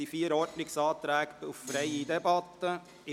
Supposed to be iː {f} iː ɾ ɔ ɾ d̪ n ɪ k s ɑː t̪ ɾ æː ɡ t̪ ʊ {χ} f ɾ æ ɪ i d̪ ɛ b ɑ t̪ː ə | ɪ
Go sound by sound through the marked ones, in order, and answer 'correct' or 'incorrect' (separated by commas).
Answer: correct, incorrect